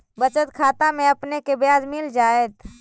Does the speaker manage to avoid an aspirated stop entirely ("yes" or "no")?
no